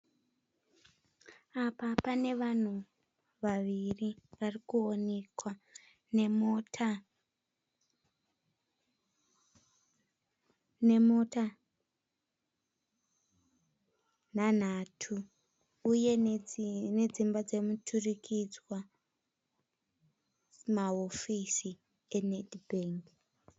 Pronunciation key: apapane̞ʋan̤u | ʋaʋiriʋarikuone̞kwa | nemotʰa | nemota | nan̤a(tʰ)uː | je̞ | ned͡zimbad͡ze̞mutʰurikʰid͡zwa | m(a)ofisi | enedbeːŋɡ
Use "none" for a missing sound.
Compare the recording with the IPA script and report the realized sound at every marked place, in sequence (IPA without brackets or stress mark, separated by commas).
tʰ, a